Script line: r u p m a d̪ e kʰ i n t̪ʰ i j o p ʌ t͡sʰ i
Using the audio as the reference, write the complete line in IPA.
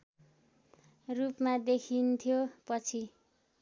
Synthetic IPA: r u p m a d̪ e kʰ i n t̪ʰ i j o p ʌ t͡sʰ i